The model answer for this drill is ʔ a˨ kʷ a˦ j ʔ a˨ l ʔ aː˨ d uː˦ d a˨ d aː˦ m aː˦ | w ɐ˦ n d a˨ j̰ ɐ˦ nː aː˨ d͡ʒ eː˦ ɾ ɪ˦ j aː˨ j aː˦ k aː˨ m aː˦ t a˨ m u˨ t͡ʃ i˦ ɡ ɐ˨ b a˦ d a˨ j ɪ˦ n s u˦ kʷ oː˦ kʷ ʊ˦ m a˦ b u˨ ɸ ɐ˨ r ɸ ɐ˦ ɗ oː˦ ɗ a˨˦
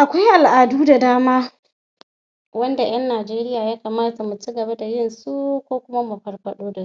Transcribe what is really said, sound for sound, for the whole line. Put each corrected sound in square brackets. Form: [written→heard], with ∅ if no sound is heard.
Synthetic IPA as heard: ʔ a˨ kʷ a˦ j ʔ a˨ l ʔ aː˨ d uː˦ d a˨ d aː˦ m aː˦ | w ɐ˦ n d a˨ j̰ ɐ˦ nː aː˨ d͡ʒ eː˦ ɾ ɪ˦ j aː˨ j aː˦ k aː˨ m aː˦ t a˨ m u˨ t͡ʃ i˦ ɡ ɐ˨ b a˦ d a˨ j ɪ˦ n s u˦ kʷ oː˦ kʷ ʊ˦ m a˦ [b→m] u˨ ɸ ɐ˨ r ɸ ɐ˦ ɗ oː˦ [ɗ→d] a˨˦